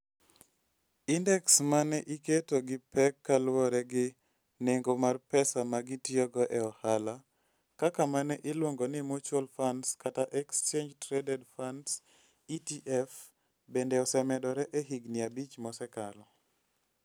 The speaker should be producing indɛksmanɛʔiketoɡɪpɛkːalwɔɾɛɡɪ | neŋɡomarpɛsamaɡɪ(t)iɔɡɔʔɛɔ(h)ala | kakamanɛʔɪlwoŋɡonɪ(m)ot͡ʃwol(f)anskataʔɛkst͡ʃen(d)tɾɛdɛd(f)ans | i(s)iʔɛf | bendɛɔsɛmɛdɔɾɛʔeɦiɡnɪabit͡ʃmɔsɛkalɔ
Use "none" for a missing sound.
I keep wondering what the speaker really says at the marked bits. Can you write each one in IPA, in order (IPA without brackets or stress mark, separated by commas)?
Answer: t, h, m, f, d͡ʒ, f, t